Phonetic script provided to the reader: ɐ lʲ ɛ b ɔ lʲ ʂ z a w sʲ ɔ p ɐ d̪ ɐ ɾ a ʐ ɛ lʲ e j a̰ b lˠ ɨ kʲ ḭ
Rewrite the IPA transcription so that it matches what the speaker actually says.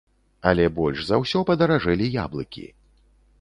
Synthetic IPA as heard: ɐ lʲ ɛ b ɔ lʲ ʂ z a w sʲ ɔ p ɐ d̪ ɐ ɾ a ʐ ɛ lʲ i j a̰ b lˠ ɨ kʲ ḭ